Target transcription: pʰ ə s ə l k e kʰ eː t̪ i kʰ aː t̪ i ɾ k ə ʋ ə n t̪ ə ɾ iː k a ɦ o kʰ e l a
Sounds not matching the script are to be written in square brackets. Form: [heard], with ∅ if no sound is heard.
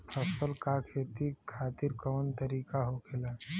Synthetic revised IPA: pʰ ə s ə l k [a] kʰ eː t̪ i kʰ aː t̪ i ɾ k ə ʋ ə n t̪ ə ɾ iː k a ɦ o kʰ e l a